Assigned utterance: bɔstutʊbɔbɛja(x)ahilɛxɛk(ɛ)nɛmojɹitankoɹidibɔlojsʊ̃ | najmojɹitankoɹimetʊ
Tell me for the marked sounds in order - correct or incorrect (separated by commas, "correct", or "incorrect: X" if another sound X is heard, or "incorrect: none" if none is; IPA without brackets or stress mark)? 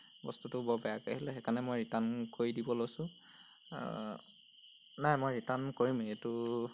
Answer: incorrect: k, incorrect: a